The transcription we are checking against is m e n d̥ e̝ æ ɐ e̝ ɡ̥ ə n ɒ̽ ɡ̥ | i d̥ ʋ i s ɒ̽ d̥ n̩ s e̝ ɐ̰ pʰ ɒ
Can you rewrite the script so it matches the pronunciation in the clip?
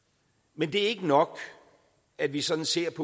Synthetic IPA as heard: m e n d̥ e̝ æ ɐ e̝ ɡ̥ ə n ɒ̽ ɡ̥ | æ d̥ ʋ i s ɒ̽ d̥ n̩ s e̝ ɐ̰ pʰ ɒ